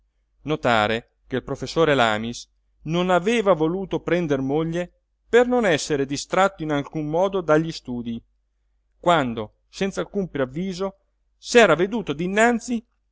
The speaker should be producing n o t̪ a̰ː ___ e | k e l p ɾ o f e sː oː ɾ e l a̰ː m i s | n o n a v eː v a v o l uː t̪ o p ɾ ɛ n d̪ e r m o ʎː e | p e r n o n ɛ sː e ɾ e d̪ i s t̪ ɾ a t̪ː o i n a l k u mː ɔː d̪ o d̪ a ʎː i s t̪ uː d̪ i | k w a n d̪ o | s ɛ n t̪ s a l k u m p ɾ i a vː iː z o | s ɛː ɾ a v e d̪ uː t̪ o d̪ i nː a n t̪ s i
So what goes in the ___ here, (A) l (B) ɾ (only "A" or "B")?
B